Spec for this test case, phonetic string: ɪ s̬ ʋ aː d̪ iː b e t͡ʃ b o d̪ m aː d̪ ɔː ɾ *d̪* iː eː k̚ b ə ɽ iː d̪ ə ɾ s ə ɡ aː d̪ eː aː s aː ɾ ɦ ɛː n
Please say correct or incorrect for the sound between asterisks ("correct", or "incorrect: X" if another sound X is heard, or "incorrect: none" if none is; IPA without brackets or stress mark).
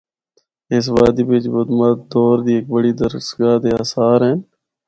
correct